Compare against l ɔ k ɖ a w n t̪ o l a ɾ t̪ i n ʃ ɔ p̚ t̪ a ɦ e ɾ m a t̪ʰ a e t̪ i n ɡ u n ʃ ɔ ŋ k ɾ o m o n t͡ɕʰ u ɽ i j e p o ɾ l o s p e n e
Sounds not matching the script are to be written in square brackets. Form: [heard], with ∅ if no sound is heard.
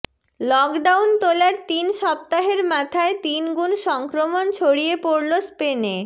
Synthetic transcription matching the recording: l ɔ k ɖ a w n t̪ o l a ɾ t̪ i n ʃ ɔ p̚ t̪ a ɦ e ɾ m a t̪ʰ a e t̪ i n ɡ u n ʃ ɔ ŋ k ɾ o m o n t͡ɕʰ [o] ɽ i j e p o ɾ l o s p e n e